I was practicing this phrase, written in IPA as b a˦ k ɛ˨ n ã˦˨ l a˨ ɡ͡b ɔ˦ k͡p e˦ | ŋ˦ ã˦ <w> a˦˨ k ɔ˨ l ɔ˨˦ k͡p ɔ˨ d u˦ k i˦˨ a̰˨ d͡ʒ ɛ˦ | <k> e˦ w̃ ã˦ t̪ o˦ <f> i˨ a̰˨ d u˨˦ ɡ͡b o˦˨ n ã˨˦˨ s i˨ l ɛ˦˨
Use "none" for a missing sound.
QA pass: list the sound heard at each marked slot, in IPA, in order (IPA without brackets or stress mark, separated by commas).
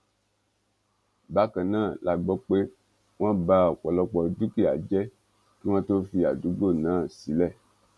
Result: b, k, f